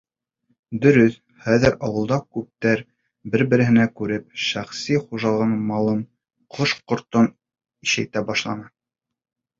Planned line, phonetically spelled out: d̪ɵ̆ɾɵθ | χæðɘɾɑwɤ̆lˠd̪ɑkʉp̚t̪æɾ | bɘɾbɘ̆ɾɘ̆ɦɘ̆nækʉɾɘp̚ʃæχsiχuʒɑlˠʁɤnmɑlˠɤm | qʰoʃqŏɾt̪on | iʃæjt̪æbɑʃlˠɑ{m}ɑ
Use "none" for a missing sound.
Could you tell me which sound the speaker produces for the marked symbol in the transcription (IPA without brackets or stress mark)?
n